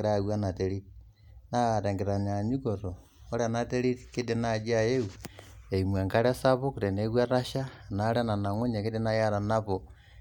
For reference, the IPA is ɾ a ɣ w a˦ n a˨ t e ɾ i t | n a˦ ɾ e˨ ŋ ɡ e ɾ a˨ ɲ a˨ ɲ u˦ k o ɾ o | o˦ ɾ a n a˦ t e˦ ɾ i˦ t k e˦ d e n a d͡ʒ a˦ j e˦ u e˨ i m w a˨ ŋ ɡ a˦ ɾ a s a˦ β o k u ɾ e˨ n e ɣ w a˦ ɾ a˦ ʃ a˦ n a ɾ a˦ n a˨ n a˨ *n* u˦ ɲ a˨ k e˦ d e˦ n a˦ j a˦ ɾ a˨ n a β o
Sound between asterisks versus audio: incorrect: ŋ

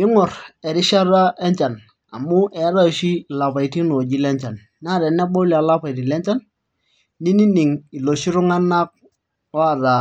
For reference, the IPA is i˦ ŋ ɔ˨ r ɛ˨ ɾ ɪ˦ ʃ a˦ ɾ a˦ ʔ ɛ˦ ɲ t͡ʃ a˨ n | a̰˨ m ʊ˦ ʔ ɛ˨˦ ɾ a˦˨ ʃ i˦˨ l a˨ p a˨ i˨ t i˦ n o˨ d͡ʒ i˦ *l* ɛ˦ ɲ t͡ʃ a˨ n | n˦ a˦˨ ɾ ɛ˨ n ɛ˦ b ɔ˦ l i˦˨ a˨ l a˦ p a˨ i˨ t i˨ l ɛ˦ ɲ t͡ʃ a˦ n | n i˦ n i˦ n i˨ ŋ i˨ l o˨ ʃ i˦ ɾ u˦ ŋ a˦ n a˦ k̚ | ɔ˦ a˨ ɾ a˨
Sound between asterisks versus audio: correct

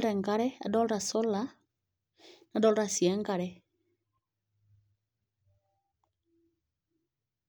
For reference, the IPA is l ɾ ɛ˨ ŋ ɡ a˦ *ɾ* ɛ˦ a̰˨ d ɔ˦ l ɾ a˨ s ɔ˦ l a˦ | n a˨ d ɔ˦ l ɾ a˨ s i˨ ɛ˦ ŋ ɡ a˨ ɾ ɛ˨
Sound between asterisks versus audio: correct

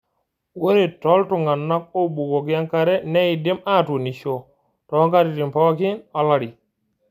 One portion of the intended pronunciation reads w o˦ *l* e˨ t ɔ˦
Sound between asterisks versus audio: incorrect: ɾ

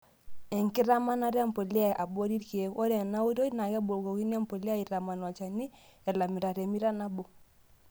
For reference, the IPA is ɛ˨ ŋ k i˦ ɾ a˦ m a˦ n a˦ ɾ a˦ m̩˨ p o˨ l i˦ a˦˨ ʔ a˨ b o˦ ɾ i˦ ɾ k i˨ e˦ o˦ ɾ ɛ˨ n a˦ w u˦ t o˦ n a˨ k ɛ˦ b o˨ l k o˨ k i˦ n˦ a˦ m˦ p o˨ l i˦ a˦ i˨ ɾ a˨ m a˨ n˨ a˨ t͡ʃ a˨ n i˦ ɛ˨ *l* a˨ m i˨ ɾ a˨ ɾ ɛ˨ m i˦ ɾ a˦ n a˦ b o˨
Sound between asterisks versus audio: correct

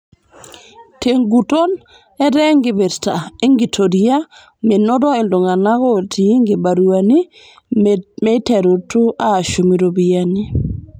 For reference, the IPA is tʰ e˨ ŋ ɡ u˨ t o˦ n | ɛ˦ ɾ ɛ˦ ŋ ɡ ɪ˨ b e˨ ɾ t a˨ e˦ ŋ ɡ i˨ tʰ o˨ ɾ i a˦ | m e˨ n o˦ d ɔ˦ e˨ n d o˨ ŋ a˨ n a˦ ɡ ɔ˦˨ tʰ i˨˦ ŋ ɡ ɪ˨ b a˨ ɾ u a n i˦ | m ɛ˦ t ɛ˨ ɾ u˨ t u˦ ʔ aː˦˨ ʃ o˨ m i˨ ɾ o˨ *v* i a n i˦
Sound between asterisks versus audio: incorrect: b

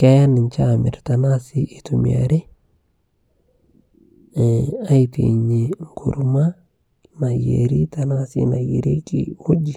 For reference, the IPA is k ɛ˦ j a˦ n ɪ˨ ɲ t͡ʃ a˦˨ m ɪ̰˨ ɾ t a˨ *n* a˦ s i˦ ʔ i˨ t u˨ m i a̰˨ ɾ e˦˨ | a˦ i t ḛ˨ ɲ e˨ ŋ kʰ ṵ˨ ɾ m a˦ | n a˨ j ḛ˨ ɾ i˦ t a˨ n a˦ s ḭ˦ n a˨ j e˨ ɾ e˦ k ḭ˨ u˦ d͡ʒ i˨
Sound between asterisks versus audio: correct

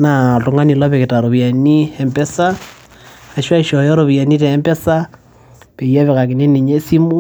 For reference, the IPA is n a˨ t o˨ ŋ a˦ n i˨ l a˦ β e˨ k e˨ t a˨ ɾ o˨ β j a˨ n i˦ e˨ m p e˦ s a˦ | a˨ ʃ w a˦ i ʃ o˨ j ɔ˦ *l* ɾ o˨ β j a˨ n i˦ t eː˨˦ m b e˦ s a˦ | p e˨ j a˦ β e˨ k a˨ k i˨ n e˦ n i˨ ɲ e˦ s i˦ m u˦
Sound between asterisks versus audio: incorrect: none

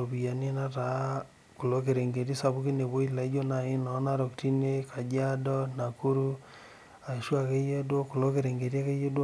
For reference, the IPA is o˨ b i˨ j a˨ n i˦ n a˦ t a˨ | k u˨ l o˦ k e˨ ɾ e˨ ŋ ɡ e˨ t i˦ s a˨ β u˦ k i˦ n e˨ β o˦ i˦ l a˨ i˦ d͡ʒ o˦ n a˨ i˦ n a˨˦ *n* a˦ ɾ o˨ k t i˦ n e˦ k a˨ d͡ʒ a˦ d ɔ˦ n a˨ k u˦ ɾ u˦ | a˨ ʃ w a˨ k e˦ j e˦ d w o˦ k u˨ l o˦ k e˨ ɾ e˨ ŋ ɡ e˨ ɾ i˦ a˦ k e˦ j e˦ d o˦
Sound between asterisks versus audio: correct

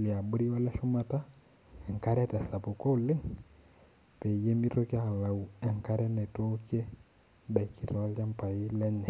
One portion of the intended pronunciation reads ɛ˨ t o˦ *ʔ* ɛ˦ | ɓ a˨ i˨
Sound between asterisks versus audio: incorrect: k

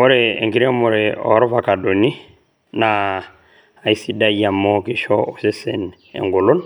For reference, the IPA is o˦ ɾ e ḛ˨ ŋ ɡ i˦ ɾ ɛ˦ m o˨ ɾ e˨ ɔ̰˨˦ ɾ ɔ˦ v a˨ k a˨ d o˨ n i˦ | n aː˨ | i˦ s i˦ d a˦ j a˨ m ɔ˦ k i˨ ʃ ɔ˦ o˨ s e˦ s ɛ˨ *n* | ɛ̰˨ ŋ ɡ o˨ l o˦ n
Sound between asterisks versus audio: correct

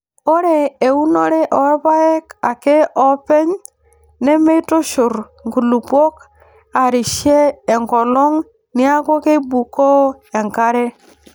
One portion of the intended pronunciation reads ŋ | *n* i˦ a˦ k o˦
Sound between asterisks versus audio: correct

